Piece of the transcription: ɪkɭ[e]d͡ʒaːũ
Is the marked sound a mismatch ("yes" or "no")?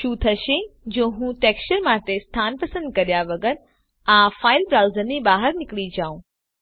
yes